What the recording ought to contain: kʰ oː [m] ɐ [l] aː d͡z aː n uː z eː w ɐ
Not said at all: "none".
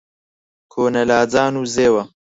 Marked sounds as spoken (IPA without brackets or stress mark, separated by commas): n, l